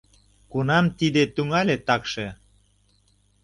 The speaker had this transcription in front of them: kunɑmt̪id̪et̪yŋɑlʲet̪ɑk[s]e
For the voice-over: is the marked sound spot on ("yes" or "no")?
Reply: no